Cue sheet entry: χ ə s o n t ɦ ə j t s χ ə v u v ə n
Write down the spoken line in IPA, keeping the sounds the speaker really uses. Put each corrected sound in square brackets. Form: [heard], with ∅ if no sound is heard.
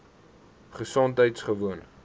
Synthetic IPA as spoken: χ ə s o n t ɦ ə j t s χ ə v u [∅] ə n